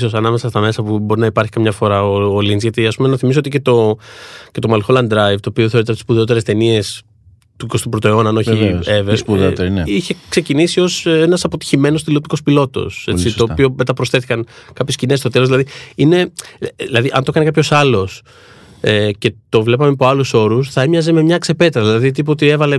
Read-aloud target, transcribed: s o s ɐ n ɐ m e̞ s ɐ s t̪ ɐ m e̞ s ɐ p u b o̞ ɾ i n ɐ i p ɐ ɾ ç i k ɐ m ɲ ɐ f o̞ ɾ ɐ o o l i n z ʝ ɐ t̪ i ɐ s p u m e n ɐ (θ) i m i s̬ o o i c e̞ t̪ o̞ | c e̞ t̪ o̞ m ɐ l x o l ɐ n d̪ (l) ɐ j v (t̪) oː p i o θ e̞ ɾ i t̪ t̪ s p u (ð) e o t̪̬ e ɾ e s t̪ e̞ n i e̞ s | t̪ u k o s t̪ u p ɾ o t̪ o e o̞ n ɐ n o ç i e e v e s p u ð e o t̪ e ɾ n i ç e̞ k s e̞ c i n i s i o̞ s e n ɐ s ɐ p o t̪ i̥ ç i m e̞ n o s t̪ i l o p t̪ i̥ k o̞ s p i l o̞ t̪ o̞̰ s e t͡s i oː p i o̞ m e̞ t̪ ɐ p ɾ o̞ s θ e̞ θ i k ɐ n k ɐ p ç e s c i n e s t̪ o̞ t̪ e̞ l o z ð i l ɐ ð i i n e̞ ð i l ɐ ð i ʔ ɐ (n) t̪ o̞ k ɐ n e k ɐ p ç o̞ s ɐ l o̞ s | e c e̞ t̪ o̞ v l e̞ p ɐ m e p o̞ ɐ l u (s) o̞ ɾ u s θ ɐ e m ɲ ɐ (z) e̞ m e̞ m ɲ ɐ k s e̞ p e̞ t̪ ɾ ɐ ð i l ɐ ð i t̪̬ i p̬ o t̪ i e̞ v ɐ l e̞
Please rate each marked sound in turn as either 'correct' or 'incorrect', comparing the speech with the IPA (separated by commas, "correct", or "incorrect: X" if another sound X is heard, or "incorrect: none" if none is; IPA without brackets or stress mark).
correct, incorrect: ɾ, correct, correct, correct, correct, correct